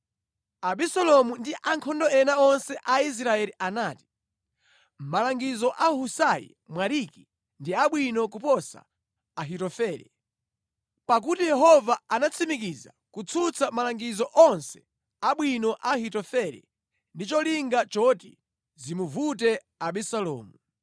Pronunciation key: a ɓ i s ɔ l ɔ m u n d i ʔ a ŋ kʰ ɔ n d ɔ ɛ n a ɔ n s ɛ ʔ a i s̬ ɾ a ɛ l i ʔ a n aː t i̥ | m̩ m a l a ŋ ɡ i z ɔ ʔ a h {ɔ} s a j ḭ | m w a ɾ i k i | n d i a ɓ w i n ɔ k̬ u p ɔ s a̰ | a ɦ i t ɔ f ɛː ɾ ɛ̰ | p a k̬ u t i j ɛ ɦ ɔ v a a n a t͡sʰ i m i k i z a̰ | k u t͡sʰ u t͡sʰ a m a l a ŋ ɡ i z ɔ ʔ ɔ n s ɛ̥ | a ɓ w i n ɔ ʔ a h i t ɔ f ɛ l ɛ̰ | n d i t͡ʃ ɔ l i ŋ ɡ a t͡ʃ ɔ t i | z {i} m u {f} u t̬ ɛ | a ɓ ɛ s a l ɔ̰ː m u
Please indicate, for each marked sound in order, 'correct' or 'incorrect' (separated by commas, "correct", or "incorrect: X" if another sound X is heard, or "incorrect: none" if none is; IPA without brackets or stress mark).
incorrect: u, correct, incorrect: v